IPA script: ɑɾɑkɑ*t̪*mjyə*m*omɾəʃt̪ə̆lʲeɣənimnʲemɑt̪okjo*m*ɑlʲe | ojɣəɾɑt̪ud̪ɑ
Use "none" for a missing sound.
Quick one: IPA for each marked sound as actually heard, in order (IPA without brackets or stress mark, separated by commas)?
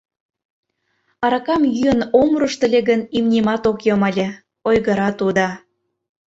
none, n, m